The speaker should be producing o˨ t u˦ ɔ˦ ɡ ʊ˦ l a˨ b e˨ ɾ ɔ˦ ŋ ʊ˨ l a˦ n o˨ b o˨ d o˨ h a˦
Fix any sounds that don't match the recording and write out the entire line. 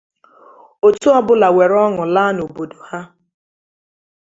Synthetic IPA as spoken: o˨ t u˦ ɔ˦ b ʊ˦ l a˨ w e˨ ɾ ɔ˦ ŋ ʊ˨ l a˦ n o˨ b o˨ d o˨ h a˦